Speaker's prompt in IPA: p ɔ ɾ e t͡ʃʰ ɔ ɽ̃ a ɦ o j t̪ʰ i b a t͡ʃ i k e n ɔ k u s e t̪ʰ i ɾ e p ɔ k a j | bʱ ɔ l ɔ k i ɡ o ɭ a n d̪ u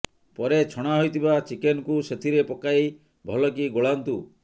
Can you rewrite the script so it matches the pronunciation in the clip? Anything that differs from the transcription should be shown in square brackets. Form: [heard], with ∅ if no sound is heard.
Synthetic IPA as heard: p ɔ ɾ e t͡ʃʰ ɔ ɽ̃ a ɦ o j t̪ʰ i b a t͡ʃ i k e n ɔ k u s e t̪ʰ i ɾ e p ɔ k a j | bʱ ɔ l ɔ k i ɡ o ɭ a n [t̪] u